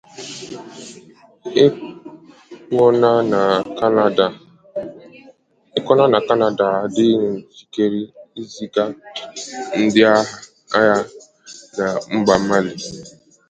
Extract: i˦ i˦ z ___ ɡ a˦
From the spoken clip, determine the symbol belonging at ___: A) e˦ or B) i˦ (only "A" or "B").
B